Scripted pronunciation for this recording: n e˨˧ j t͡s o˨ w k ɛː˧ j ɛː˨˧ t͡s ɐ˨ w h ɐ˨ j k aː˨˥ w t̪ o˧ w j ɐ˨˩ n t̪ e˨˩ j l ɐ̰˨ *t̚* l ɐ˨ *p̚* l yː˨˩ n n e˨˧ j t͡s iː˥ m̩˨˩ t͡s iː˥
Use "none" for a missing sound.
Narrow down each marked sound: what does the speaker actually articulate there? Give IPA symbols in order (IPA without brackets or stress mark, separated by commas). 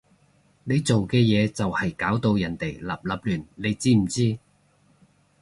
p̚, p̚